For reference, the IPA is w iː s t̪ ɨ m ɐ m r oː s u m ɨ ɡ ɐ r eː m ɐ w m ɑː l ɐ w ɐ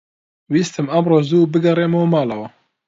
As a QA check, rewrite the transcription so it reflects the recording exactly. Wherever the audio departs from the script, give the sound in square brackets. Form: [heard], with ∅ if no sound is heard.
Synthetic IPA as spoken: w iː s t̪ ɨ m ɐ m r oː [z] u [b] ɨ ɡ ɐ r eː m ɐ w m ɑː l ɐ w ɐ